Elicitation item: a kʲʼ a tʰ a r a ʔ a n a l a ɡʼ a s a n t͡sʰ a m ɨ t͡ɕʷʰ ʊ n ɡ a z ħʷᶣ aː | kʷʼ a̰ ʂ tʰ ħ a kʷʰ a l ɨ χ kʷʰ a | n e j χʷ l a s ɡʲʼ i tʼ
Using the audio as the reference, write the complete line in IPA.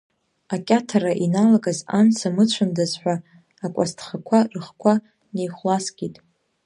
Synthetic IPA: a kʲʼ a tʰ a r a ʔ i n a l a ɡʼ a z a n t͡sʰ a m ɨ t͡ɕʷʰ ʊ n d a z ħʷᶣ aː | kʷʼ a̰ s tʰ χ a kʷʰ a r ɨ χ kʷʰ a | n e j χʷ l a s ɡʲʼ i tʼ